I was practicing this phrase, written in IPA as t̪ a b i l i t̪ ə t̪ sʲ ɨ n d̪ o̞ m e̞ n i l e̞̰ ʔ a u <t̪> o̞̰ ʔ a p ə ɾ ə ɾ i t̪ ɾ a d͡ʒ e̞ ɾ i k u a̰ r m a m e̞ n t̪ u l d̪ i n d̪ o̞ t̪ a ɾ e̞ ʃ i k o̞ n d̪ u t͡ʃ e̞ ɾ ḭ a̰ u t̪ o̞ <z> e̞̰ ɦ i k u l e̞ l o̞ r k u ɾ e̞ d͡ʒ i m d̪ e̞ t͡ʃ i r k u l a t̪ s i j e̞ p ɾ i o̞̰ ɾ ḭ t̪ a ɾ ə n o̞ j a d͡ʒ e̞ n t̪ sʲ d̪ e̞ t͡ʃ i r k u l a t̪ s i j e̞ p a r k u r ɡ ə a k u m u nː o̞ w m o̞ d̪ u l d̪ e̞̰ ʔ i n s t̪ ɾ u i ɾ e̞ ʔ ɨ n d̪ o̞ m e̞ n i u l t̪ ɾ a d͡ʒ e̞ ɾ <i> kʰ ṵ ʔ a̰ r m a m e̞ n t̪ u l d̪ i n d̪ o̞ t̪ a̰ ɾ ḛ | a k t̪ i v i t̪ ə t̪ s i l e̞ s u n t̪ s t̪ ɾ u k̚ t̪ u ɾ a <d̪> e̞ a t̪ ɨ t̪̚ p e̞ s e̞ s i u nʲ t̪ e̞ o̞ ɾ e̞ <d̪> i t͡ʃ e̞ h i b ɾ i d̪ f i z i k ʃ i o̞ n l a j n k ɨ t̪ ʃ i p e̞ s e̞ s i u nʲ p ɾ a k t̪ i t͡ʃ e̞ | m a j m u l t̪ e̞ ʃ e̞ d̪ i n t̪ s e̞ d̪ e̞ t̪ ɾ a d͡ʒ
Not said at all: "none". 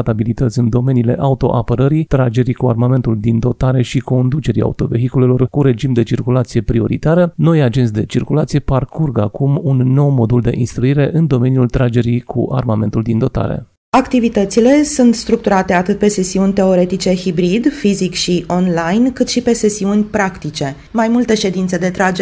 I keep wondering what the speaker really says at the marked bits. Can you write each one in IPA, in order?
t̪, v, i, t̪, t̪

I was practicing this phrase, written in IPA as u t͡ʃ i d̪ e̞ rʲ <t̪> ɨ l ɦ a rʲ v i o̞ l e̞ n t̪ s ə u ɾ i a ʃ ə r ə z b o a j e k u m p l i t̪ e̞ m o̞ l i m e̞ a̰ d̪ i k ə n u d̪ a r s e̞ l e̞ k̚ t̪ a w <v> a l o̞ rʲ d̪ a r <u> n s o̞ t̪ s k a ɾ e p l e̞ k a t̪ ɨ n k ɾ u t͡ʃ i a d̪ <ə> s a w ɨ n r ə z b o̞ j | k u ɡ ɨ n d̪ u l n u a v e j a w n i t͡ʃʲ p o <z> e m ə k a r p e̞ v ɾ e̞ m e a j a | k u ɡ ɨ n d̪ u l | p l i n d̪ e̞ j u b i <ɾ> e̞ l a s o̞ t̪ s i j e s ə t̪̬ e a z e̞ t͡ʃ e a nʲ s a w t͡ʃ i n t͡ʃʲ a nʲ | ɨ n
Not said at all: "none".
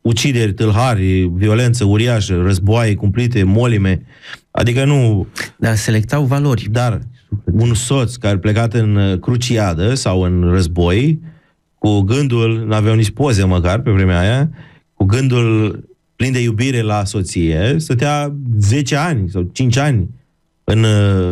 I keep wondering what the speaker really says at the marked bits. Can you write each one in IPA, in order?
t̪, v, u, ə, z, ɾ

